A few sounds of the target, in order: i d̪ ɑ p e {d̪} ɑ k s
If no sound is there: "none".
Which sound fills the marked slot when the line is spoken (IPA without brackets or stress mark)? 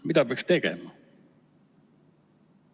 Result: none